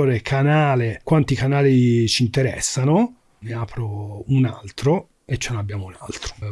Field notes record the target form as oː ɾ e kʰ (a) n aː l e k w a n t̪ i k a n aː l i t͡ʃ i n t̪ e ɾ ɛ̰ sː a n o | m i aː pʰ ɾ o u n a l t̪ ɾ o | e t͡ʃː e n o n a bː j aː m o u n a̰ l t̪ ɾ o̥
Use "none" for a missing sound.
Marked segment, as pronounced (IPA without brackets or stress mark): a